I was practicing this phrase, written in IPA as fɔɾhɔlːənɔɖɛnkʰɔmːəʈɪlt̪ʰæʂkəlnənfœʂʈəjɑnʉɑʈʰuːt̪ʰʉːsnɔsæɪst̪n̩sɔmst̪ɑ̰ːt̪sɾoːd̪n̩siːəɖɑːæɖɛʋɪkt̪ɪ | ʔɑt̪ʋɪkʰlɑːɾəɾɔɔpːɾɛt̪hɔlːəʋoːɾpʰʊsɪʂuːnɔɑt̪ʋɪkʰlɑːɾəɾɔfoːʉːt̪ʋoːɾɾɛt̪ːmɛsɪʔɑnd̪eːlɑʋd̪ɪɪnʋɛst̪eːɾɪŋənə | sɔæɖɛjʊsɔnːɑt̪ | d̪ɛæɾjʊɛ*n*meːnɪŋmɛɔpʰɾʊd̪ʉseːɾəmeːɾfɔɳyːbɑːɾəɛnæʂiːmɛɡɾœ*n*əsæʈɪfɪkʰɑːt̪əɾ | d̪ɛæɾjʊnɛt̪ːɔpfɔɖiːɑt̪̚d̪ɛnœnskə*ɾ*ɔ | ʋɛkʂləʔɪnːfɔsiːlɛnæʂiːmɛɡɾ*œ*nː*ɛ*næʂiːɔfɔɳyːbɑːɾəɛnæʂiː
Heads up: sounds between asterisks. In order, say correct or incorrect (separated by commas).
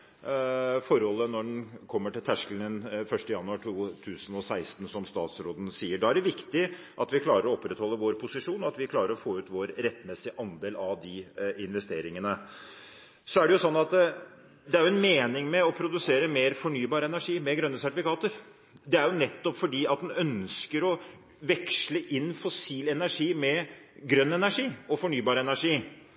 correct, incorrect, correct, correct, correct